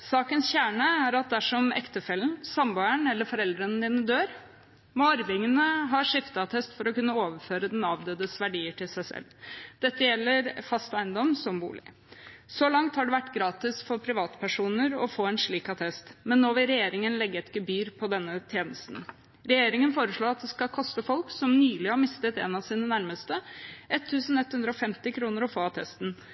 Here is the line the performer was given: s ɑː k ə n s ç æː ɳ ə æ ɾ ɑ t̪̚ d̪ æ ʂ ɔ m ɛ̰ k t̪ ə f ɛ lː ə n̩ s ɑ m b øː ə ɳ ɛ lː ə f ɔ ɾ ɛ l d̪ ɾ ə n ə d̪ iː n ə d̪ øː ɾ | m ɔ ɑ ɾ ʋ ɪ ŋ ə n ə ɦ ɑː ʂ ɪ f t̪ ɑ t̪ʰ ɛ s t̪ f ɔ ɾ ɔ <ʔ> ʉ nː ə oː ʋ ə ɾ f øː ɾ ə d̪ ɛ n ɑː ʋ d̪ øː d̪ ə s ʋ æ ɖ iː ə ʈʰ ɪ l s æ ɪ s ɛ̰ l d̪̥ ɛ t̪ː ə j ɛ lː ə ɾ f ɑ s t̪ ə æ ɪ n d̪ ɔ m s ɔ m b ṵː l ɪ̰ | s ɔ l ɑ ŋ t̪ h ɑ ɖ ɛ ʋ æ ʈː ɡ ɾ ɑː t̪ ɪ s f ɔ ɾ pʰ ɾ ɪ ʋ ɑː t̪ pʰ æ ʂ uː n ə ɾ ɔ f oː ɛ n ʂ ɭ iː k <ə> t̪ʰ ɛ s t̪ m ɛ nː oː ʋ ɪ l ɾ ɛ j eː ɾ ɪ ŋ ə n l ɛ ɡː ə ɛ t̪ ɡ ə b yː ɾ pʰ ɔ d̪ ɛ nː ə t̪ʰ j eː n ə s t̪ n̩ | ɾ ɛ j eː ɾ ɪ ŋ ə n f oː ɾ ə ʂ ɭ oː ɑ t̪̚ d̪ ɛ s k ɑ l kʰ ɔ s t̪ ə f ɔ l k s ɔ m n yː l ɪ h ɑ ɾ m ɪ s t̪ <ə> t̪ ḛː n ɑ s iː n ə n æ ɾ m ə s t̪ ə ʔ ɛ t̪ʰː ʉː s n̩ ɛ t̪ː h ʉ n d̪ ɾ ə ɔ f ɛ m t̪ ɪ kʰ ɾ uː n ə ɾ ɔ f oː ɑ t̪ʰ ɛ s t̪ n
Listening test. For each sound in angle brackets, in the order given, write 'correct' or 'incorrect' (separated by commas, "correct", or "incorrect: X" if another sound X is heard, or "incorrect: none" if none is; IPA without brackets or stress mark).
incorrect: k, incorrect: ɑ, correct